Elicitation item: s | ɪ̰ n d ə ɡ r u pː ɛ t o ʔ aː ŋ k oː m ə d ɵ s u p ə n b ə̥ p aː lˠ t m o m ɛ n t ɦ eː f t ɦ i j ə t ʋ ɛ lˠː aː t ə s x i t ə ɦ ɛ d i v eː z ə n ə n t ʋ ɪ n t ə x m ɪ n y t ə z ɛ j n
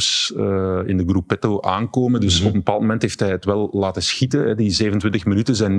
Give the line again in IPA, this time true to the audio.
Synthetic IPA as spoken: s | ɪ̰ n d ə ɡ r u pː ɛ t o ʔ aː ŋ k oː m ə d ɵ s ɔ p ə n b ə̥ p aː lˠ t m o m ɛ n t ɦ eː f t ɦ ɛ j ə t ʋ ɛ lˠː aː t ə s x i t ə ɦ ɛ d i z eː v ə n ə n t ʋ ɪ n t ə x m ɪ n y t ə z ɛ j n